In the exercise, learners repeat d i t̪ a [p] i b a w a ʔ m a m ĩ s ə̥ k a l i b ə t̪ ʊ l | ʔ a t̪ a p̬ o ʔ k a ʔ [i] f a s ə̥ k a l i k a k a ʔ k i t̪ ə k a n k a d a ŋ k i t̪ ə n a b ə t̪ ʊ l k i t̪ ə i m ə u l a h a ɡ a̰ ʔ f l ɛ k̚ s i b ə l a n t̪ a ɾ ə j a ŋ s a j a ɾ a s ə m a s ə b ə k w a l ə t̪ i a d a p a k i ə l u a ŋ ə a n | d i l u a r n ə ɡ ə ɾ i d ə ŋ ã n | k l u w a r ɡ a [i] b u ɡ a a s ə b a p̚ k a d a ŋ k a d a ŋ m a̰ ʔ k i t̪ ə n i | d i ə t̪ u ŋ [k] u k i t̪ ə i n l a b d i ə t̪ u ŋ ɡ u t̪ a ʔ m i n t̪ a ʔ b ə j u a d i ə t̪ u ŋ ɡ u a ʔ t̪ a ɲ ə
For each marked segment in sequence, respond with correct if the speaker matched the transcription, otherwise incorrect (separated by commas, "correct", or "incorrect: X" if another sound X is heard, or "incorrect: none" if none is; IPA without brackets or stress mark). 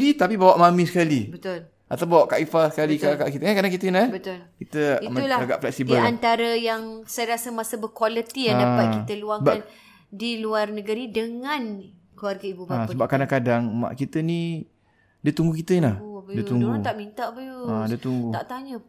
correct, correct, correct, incorrect: ɡ